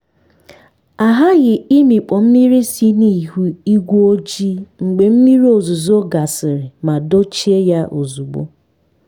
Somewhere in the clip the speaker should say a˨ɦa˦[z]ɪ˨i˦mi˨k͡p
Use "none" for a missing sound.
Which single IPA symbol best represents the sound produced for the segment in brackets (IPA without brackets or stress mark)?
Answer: ɣ